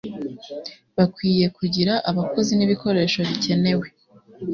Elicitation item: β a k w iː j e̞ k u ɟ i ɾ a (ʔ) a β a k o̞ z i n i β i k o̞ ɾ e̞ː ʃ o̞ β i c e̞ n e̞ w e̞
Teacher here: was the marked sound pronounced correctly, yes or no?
yes